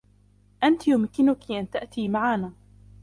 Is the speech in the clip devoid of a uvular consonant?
yes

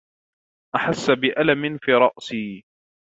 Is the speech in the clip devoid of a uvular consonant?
yes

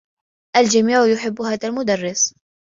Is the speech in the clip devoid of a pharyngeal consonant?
no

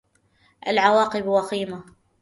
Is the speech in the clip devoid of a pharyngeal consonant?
no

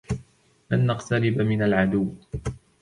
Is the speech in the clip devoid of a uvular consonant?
no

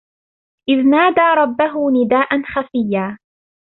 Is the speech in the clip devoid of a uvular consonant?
yes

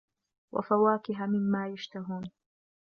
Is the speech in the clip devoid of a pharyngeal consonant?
yes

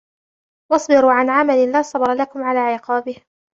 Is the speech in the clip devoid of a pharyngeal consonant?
no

